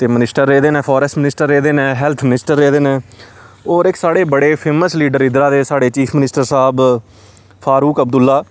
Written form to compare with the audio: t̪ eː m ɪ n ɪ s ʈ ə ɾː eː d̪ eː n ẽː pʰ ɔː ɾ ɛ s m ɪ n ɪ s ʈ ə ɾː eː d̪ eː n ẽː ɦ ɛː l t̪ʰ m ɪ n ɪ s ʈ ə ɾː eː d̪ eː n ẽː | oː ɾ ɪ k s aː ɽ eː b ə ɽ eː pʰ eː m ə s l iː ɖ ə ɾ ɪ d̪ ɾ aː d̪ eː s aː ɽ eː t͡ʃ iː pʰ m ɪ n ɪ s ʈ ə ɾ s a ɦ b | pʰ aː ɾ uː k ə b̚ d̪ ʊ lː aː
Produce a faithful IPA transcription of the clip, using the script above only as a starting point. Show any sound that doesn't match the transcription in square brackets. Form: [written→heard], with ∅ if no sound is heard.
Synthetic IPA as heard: t̪ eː m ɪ n ɪ s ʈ ə ɾː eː d̪ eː n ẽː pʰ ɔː ɾ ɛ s m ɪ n ɪ s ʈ ə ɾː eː d̪ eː n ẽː ɦ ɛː l t̪ʰ m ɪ n ɪ s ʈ ə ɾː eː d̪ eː n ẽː | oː ɾ ɪ k s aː ɽ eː b ə ɽ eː pʰ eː m ə s l iː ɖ ə ɾ ɪ d̪ ɾ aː d̪ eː s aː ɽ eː t͡ʃ iː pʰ m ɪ n ɪ s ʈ ə ɾ s a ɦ b | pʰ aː ɾ uː k ə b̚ d̪ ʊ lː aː